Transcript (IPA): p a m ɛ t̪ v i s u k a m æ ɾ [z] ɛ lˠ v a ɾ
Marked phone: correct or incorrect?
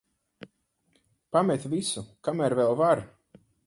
incorrect